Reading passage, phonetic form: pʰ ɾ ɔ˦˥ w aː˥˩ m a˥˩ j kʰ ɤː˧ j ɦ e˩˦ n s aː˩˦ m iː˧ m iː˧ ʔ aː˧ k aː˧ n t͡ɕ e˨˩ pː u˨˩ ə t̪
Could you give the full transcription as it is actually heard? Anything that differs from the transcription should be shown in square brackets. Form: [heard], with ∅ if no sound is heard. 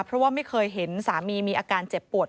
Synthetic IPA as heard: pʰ ɾ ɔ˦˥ w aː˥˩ m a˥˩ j kʰ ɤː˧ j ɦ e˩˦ n s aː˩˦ m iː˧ m iː˧ ʔ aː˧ k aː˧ n t͡ɕ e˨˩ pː u˨˩ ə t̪